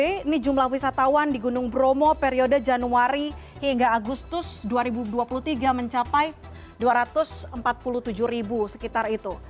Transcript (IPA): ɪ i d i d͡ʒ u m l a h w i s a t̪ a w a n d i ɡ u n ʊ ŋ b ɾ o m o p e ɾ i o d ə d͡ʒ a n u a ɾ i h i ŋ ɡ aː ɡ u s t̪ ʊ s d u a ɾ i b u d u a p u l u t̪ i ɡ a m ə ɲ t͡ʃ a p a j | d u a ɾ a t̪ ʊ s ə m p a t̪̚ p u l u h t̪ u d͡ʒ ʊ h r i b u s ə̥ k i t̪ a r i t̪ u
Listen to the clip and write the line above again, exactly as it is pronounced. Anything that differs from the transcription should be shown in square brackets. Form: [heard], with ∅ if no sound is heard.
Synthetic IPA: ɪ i [n] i d͡ʒ u m l a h w i s a t̪ a w a n d i ɡ u n ʊ ŋ b ɾ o m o p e ɾ i o d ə d͡ʒ a n u a ɾ i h i ŋ ɡ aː ɡ u s t̪ ʊ s d u a ɾ i b u d u a p u l u t̪ i ɡ a m ə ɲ t͡ʃ a p a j | d u a ɾ a t̪ ʊ s ə m p a t̪̚ p u l u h t̪ u d͡ʒ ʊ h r i b u s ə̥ k i t̪ a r i t̪ u